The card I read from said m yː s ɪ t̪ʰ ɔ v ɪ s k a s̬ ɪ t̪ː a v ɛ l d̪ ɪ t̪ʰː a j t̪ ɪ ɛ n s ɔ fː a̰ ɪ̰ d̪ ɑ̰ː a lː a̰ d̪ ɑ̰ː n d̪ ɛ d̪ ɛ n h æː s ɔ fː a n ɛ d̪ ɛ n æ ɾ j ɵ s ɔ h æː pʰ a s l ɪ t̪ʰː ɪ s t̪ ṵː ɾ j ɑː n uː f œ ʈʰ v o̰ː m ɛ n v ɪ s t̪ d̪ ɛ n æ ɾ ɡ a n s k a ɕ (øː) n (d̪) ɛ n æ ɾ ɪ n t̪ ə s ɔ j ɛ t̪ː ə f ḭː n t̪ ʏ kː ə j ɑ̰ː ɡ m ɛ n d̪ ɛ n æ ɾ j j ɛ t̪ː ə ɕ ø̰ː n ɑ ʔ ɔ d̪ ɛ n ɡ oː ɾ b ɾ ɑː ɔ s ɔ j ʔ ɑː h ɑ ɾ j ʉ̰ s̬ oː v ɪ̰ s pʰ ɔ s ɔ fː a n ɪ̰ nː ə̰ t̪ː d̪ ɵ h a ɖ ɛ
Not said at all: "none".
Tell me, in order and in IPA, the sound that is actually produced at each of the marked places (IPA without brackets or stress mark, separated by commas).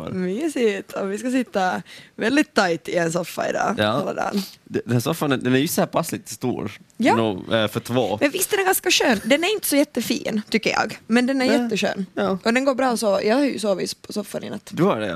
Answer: øː, d̪